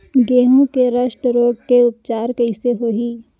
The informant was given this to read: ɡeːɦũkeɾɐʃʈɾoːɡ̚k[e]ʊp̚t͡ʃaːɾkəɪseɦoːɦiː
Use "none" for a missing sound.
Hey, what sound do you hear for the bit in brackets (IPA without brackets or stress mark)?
e